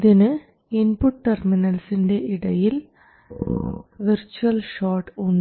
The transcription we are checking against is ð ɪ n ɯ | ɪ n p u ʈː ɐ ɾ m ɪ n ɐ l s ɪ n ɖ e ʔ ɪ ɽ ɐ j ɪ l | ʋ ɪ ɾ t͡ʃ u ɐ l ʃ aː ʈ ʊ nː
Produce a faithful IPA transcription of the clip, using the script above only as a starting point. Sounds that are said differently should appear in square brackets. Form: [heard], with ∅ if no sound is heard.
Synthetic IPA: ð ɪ n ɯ | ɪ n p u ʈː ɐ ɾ m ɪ n ɐ l s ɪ n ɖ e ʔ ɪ ɽ ɐ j ɪ l | ʋ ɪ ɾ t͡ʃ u ɐ l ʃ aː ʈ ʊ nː